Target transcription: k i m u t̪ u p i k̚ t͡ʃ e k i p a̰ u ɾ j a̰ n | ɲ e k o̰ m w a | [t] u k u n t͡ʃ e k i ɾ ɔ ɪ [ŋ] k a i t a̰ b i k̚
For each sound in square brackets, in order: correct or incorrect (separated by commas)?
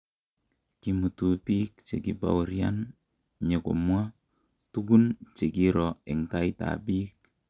correct, correct